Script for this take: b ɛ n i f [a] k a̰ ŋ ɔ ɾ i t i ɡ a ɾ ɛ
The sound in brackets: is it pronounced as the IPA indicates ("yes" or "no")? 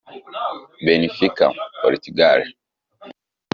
no